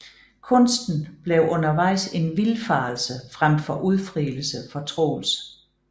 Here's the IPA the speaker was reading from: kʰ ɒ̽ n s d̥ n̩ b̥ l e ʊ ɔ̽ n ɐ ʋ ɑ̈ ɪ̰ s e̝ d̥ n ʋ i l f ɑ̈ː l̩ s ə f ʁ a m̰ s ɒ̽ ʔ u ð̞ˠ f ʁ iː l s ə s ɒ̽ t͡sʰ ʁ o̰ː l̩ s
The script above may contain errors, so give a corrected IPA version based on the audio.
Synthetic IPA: kʰ ɔ̽ n s d̥ n̩ b̥ l e ʊ ɔ̽ n ɐ ʋ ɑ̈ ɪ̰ s e̝ n ʋ i l f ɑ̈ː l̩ s ə f ʁ a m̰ f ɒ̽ ʔ u ð̞ˠ f ʁ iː l s ə f ɒ̽ t͡sʰ ʁ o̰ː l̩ s